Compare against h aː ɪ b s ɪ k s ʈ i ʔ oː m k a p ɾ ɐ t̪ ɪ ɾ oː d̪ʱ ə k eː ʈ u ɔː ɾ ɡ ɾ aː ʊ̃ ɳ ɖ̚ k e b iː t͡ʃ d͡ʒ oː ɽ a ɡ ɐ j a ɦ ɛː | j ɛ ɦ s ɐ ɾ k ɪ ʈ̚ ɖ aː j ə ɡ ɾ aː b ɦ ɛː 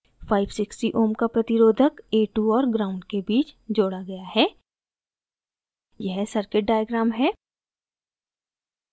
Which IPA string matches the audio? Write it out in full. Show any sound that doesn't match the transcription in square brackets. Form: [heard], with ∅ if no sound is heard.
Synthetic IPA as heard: [f] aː ɪ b s ɪ k s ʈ i ʔ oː m k a p ɾ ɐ t̪ ɪ ɾ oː d̪ʱ ə k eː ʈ u ɔː ɾ ɡ ɾ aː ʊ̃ ɳ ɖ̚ k e b iː t͡ʃ d͡ʒ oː ɽ a ɡ ɐ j a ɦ ɛː | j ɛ ɦ s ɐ ɾ k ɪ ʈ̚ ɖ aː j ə ɡ ɾ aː [m] ɦ ɛː